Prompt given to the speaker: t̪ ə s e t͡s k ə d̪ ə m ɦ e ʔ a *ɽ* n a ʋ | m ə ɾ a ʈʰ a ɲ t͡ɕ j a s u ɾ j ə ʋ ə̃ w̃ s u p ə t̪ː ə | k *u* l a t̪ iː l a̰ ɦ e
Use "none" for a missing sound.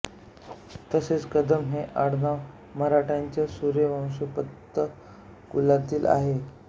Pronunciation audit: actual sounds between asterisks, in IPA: ɽ, u

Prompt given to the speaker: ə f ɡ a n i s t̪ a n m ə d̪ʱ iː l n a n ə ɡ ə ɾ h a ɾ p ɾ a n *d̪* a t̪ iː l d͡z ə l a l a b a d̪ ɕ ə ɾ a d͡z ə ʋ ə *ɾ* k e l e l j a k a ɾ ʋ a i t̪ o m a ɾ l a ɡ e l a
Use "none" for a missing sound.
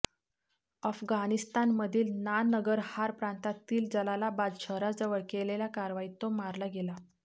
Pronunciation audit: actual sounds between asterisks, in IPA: t̪, ɭ

